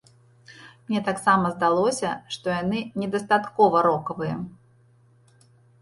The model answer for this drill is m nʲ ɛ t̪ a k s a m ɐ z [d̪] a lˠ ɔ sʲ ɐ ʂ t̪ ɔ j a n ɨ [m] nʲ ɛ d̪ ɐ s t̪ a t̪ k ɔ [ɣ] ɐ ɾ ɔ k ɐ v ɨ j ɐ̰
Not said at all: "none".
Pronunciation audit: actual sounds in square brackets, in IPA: d̪, none, v

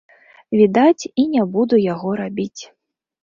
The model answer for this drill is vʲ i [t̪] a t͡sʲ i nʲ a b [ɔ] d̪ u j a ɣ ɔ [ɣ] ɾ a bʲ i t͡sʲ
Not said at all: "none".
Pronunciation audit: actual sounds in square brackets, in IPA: d̪, u, none

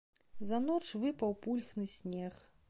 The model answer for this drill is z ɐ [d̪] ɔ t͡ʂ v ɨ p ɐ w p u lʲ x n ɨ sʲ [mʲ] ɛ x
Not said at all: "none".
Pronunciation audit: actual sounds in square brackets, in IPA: n̪, nʲ

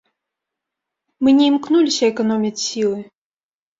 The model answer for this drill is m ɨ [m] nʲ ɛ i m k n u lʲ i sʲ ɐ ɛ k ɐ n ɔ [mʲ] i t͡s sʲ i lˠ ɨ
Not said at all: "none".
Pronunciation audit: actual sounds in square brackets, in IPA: none, mʲ

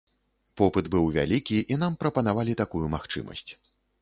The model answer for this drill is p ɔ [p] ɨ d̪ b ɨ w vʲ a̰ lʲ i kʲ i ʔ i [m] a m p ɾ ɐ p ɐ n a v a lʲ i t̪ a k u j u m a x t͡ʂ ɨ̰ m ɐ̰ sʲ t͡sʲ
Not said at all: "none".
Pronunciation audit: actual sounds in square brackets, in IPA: p, n

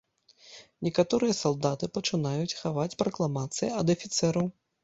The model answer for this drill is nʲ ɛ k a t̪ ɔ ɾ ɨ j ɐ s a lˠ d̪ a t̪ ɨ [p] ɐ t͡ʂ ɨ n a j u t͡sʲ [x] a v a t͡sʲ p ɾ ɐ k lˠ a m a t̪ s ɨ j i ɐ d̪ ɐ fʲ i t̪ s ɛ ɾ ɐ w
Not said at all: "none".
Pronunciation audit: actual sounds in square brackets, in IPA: p, x

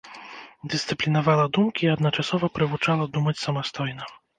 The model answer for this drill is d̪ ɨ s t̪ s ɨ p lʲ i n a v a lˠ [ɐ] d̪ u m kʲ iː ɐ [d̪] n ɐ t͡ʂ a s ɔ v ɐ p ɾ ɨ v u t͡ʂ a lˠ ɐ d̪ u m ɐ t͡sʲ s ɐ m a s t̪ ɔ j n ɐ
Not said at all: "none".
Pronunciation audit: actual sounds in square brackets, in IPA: ɐ, d̪

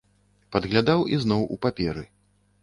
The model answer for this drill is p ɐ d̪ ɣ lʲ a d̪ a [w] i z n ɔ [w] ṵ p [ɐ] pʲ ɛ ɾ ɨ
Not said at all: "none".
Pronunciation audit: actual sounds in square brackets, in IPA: w, w, a

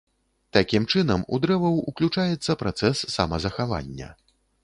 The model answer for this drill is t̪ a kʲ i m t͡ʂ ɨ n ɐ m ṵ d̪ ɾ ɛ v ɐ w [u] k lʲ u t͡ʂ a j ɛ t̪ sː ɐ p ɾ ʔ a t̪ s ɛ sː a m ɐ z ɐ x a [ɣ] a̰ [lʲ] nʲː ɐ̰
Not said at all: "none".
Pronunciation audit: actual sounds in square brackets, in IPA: u, v, none

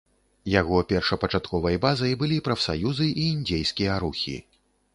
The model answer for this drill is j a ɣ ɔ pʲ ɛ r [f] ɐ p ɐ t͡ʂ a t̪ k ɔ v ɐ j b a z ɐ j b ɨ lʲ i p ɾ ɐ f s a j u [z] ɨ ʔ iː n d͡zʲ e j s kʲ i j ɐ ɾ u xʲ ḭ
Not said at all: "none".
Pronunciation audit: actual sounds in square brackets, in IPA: ʂ, z

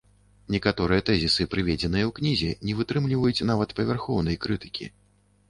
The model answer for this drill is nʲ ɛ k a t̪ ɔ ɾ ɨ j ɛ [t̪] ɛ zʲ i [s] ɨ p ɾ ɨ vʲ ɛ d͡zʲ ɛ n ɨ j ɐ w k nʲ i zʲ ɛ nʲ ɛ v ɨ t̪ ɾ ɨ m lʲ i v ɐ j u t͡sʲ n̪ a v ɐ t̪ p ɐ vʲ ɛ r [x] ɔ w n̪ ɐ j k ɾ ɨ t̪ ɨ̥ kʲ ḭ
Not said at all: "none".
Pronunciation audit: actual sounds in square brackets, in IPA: t̪, s, x

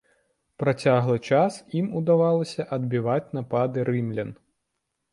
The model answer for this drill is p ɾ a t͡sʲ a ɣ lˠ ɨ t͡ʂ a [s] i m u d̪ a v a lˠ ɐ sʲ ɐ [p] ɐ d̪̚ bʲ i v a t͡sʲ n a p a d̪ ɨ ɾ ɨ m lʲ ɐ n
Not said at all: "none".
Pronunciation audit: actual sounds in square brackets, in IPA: s, ʔ

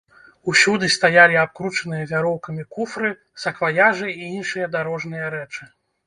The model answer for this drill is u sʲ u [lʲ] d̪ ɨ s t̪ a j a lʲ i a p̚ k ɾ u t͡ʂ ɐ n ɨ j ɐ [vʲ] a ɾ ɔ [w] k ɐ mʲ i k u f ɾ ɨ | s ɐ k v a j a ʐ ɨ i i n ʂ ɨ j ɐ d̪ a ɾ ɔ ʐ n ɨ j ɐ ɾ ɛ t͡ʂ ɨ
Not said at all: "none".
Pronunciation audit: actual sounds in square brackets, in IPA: none, vʲ, w

